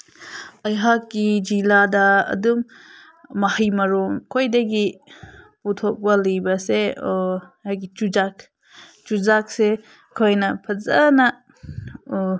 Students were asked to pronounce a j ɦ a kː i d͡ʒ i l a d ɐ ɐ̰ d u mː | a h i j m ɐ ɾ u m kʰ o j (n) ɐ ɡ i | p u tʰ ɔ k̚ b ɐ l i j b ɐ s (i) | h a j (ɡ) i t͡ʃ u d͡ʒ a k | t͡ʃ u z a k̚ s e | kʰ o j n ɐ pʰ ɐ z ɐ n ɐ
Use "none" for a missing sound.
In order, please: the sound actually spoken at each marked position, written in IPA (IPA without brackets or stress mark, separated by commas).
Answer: d, e, ɡ